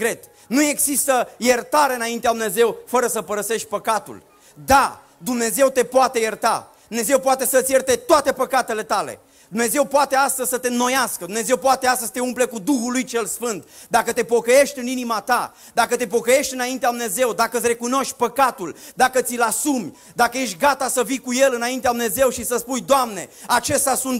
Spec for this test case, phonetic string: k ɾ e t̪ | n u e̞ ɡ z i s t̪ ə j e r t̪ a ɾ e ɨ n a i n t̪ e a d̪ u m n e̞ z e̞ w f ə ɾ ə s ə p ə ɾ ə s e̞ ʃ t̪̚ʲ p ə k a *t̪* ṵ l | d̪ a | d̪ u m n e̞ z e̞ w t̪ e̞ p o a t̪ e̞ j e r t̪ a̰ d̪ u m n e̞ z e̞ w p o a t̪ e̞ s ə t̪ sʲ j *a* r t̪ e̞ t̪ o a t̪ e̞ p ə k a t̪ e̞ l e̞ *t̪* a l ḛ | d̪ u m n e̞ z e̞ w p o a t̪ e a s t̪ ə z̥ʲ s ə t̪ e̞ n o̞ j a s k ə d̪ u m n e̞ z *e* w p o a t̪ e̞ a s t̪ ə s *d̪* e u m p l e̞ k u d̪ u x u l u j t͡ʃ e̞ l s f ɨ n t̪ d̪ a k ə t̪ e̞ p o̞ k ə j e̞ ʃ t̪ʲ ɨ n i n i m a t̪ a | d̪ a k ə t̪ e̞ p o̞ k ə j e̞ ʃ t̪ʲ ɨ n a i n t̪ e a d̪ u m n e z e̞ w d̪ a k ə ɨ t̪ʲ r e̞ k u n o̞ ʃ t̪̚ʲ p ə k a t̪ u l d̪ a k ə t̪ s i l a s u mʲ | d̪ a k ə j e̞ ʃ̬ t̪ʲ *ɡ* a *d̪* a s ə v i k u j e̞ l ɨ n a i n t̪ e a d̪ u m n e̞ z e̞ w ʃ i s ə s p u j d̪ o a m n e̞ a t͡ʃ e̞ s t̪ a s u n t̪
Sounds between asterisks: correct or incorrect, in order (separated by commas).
correct, incorrect, correct, correct, incorrect, correct, incorrect